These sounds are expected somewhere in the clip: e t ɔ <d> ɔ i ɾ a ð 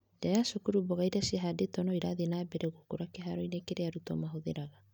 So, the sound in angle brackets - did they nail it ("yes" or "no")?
no